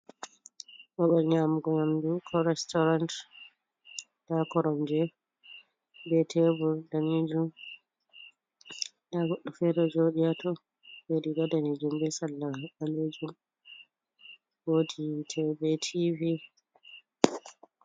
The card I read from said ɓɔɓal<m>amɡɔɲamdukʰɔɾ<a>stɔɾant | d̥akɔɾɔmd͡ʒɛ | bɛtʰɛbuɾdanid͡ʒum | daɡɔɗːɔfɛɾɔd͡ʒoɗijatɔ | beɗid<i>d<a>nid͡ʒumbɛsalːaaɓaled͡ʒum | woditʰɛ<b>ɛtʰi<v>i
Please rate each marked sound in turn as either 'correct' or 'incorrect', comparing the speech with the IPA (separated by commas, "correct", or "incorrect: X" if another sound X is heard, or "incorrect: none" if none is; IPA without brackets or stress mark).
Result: incorrect: ɲ, incorrect: ɛ, incorrect: a, correct, correct, correct